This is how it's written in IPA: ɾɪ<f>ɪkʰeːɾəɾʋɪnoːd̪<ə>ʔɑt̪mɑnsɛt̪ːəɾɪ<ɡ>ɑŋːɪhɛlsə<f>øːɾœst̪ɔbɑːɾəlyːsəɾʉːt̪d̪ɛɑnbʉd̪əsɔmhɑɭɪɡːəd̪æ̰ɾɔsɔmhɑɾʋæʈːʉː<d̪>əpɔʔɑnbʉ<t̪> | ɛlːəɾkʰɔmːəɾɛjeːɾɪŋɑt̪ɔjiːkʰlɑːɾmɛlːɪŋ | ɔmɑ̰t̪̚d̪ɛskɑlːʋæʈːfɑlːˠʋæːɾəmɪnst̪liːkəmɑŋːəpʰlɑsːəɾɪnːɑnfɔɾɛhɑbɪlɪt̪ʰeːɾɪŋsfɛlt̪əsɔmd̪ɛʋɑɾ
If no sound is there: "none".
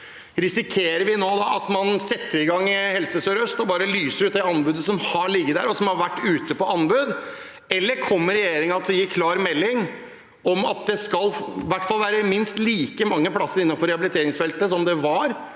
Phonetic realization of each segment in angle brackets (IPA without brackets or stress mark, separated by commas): s, ɑ, ɡ, s, t̪, d̪